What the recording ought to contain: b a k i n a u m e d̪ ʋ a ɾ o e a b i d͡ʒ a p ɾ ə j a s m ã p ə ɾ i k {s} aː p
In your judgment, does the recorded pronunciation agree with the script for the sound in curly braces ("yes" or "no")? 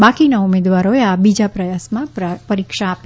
no